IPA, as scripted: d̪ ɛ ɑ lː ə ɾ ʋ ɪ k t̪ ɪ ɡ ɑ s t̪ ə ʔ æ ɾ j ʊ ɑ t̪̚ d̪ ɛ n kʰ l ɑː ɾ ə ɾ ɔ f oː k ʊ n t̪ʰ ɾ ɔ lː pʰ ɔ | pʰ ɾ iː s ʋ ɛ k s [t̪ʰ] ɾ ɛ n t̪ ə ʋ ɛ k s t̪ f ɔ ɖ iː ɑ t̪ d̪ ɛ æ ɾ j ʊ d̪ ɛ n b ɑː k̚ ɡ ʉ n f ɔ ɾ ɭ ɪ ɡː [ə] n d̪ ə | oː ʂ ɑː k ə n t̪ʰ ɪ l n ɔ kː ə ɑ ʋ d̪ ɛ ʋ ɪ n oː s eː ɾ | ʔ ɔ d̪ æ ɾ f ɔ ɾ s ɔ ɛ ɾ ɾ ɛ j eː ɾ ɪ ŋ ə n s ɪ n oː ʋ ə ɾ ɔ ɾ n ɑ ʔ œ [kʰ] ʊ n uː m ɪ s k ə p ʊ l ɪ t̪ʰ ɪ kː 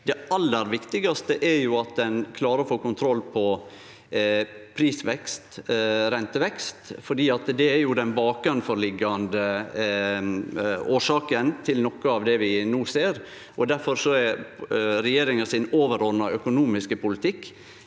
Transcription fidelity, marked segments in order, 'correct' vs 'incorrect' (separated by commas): incorrect, incorrect, incorrect